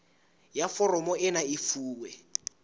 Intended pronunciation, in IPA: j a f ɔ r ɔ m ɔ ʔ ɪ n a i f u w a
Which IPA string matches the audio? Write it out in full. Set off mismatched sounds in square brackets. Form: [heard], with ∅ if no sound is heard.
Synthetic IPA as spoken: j a f ɔ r ɔ m ɔ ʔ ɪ n a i f [uː] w [ɛ]